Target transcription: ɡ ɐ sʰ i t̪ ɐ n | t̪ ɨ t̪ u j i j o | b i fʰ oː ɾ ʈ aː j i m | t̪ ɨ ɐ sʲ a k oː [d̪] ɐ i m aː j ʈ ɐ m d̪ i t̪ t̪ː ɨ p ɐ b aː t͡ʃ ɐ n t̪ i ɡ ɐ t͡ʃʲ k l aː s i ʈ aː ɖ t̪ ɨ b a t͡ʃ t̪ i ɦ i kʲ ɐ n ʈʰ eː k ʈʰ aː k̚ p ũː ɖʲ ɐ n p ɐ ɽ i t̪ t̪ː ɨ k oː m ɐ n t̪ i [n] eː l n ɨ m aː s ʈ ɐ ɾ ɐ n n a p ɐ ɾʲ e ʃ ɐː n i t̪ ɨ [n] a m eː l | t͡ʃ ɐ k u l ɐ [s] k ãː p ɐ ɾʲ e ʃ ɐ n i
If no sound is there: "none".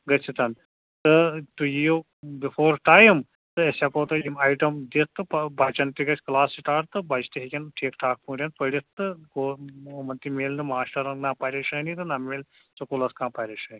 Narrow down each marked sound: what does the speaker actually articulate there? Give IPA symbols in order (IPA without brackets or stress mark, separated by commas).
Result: t̪, m, n, s